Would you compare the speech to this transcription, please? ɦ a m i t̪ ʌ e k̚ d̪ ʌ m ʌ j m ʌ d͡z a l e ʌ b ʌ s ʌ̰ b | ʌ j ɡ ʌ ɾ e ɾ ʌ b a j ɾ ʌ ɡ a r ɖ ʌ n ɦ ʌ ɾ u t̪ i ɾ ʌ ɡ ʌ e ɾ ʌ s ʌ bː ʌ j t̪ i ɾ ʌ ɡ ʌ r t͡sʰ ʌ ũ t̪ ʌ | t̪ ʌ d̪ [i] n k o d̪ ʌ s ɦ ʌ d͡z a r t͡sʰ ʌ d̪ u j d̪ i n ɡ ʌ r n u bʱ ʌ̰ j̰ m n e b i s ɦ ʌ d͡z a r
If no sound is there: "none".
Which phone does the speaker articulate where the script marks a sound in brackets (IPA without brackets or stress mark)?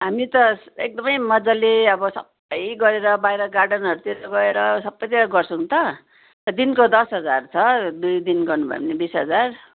i